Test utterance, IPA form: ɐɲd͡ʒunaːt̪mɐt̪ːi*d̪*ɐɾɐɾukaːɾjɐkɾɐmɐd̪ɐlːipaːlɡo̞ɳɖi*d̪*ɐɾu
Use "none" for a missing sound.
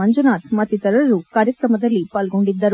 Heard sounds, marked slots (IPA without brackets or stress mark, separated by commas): t̪, d̪ː